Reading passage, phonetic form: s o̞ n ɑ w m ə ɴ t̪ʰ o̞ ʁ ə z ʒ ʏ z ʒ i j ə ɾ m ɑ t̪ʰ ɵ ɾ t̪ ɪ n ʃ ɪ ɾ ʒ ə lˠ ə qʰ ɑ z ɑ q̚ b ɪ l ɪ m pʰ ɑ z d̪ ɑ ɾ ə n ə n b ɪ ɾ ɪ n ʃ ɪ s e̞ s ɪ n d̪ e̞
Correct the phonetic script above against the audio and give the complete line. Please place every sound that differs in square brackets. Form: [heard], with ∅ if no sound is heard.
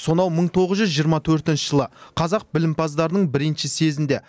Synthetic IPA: s o̞ n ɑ w m ə ɴ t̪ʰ o̞ ʁ ə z ʒ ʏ z ʒ i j ə ɾ m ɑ t̪ʰ ɵ ɾ t̪ ɪ n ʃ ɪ [∅] ʒ ə lˠ ə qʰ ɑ z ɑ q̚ b ɪ l ɪ m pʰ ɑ z d̪ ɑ ɾ ə n ə [ɴ] b ɪ ɾ ɪ n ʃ ɪ s e̞ [z] ɪ n d̪ e̞